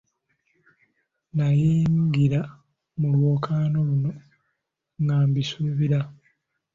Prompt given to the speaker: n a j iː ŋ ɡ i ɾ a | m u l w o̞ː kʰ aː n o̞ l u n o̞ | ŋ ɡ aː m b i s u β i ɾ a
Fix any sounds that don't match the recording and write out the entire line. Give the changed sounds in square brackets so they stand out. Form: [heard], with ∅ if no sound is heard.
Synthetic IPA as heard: n a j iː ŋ ɡ i ɾ a | m u l w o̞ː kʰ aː n o̞ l u n o̞ | ŋ ɡ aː m b i s u β i ɾ a